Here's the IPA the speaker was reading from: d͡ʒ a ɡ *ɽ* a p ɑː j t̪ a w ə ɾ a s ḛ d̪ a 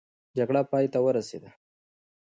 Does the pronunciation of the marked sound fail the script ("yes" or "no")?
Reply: no